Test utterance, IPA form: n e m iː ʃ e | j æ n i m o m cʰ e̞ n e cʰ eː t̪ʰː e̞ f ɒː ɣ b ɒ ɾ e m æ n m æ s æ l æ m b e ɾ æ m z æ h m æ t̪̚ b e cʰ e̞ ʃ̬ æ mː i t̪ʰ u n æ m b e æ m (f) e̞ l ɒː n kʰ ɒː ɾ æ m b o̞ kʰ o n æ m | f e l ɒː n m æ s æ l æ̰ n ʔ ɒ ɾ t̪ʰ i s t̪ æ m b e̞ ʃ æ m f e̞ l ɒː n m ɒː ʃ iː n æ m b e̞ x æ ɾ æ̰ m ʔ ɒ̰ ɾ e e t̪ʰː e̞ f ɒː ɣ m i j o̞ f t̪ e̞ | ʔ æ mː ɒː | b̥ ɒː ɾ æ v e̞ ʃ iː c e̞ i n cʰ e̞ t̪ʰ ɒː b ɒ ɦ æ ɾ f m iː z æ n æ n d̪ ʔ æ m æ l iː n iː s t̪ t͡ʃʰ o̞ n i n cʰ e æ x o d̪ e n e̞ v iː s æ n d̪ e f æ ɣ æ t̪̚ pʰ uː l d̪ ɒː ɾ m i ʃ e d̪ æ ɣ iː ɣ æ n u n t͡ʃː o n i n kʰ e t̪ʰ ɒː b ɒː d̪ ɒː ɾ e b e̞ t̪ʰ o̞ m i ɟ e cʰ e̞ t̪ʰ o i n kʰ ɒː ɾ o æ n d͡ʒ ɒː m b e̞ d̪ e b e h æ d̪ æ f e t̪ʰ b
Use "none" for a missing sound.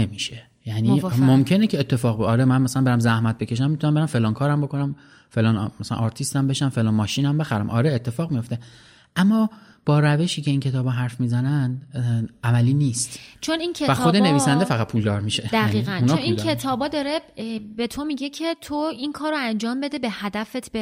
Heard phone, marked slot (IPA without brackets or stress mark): f